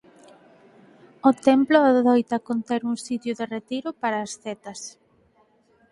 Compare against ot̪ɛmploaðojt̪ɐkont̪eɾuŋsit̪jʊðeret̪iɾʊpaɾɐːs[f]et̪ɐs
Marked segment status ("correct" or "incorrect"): incorrect